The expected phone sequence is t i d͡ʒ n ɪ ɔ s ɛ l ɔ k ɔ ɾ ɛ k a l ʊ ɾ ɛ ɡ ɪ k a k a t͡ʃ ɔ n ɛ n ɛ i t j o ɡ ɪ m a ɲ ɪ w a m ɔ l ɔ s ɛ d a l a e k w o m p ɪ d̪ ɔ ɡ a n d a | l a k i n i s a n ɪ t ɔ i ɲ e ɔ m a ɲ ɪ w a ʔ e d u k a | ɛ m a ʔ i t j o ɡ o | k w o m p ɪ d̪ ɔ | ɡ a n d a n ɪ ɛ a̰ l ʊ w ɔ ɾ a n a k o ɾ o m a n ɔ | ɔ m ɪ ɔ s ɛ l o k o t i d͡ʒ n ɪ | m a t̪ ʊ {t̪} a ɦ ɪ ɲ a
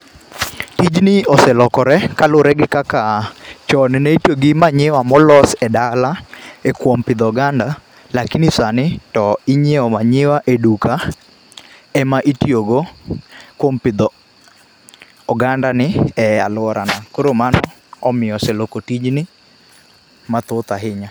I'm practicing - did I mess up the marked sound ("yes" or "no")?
no